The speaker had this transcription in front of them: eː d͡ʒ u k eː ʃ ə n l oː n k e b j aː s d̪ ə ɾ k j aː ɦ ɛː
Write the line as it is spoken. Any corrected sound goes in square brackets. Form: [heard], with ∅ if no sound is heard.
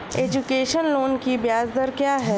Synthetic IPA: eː d͡ʒ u k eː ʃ ə n l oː n k [i] b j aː [z] d̪ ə ɾ k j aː ɦ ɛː